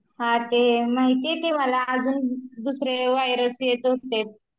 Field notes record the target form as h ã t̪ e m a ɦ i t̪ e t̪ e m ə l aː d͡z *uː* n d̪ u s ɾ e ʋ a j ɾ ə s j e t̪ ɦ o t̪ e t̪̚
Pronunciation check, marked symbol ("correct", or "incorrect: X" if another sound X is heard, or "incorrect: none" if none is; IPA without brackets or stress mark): correct